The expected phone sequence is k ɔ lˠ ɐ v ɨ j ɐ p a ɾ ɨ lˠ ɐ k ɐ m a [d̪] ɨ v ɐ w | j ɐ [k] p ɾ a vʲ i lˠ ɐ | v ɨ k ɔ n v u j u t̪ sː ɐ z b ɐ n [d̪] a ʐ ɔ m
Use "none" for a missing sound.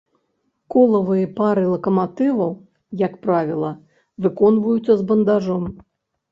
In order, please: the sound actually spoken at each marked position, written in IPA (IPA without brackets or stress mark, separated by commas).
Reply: t̪, k, d̪